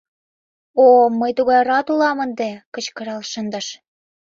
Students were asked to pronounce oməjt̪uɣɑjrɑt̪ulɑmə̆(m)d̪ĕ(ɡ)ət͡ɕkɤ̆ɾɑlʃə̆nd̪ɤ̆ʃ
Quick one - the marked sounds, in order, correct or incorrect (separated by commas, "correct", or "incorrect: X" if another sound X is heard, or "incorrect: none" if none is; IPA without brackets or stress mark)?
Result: incorrect: n, incorrect: k